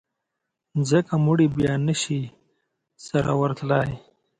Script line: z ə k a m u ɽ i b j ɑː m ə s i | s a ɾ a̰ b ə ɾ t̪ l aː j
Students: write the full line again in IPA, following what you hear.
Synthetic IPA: z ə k a m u ɽ i b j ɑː n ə ʃ i | s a ɾ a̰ w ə ɾ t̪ l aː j